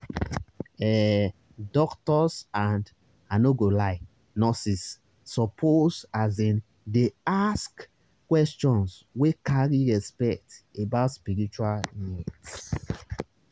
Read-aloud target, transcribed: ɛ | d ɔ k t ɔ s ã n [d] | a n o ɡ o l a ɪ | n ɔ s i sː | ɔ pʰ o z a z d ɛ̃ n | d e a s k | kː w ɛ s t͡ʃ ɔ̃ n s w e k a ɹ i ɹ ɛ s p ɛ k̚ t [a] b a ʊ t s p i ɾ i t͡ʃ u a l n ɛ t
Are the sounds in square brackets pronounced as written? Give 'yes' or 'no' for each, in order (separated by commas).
yes, no